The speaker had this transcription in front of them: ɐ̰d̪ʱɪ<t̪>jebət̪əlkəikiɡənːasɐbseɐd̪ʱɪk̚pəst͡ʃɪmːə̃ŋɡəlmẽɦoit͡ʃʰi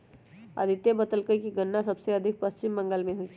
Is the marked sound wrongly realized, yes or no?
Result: no